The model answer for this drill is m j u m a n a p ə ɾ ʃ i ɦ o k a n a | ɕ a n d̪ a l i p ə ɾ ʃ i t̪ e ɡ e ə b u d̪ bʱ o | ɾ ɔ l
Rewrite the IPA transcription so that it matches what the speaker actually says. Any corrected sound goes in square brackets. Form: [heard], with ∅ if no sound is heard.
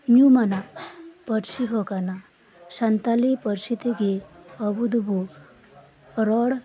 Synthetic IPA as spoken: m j u m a n a p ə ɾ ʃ i ɦ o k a n a | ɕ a n [t̪] a l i p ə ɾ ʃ i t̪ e ɡ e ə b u d̪ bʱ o | ɾ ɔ [ɽ]